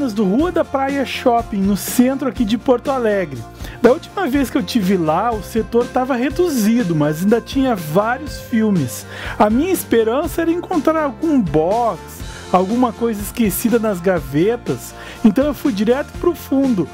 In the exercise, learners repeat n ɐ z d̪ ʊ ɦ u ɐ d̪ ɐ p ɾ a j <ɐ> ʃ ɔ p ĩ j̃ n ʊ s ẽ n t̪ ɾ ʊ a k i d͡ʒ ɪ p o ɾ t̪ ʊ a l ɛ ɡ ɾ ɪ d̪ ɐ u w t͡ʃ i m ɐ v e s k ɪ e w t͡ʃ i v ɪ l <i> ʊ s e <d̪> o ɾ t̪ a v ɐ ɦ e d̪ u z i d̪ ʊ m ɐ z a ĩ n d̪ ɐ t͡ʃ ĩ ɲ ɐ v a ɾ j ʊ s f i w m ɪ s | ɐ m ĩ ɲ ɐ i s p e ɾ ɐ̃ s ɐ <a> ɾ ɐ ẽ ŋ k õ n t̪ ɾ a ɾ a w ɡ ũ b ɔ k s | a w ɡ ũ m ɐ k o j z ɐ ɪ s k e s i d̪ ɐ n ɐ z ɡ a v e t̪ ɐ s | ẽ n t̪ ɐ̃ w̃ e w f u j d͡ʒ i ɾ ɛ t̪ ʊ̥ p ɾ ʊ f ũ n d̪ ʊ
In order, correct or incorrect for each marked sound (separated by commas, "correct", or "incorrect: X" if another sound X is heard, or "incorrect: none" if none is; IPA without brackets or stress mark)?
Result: correct, incorrect: a, incorrect: t̪, incorrect: ɛ